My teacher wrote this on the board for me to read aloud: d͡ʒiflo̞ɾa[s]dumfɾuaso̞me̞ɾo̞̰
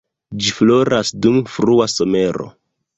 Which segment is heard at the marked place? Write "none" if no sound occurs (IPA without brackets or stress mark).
s